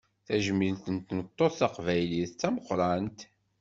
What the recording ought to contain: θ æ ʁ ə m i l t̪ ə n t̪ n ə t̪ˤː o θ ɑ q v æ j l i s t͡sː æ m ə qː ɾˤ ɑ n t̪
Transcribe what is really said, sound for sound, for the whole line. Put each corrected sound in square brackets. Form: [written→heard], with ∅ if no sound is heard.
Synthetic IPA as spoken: θ æ [ʁ→ʒ] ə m i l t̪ ə n t̪ n ə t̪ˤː o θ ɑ q v æ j l i [s→θ] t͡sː æ m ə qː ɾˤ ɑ n t̪